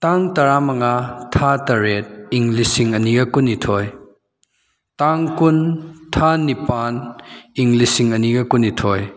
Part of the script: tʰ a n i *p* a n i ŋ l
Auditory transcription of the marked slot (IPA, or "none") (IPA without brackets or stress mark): p